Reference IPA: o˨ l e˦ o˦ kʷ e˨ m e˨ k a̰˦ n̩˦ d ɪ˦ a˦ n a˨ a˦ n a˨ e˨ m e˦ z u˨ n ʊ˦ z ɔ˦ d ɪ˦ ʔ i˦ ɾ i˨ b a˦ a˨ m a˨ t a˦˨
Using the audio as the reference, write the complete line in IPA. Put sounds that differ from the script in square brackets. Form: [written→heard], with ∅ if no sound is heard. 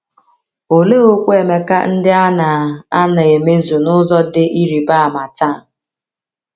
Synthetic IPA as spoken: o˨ l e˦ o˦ kʷ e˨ m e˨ k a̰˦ n̩˦ d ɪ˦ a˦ n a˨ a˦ n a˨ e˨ m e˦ z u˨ n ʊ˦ z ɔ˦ d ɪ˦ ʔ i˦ ɾ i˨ b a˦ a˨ m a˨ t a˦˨